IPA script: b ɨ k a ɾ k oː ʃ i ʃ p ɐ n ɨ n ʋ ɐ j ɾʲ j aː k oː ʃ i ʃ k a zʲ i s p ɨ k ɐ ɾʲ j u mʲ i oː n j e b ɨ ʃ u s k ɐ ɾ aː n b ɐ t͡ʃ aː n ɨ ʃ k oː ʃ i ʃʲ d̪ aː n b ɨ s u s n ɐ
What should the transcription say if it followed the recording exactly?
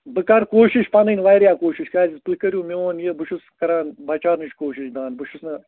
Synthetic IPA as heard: b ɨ k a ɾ k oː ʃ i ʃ p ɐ n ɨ n ʋ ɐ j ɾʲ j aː k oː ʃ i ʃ k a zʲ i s p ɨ k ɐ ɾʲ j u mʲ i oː n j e b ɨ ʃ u s k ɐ ɾ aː n b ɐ t͡ʃ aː n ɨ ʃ k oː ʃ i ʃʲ d̪ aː n b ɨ ʃ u s n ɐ